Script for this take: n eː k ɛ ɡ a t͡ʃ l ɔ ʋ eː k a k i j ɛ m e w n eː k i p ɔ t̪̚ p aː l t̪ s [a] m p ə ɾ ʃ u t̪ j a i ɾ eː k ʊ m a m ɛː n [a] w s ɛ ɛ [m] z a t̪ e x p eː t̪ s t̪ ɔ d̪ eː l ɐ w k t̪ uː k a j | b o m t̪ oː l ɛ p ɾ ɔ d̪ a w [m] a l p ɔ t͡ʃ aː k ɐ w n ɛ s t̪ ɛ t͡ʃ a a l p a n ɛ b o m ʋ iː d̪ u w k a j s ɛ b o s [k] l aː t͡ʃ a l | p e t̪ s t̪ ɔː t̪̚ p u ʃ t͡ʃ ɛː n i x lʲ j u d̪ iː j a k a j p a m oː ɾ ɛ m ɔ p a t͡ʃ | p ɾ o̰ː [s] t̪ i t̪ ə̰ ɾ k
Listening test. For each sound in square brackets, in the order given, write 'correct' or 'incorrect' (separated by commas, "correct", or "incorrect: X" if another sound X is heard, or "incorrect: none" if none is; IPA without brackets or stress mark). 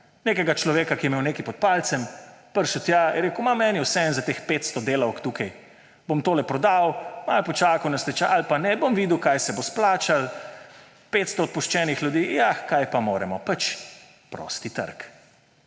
incorrect: ɛ, incorrect: i, incorrect: n, correct, incorrect: p, correct